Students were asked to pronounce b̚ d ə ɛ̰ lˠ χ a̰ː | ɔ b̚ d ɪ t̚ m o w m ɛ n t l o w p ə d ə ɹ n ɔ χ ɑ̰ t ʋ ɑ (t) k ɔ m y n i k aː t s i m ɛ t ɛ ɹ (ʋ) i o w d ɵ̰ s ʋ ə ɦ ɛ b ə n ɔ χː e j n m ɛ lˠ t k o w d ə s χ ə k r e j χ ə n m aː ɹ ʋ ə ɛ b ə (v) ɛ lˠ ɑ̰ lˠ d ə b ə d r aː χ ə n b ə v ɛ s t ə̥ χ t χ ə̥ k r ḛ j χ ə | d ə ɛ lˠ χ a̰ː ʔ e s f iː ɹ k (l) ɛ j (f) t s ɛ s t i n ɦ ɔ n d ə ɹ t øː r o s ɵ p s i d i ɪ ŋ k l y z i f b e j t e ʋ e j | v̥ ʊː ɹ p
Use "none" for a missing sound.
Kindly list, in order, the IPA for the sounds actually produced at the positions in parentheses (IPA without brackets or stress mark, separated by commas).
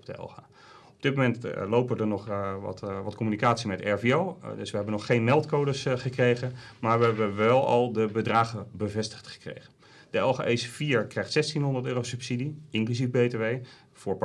t, v, ʋ, r, χ